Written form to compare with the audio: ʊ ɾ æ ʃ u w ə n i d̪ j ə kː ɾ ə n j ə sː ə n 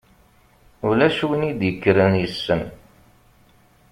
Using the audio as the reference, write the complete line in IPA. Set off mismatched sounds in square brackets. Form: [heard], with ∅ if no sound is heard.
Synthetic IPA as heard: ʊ [l] æ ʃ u w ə n i d̪ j ə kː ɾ ə n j ə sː ə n